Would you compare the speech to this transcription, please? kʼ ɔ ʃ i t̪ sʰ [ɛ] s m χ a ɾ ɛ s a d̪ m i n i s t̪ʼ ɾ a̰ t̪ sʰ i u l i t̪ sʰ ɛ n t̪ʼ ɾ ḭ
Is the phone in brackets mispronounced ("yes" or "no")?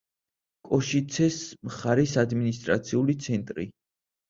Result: no